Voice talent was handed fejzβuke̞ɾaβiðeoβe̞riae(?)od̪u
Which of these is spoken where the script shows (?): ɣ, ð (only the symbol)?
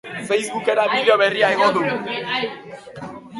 ɣ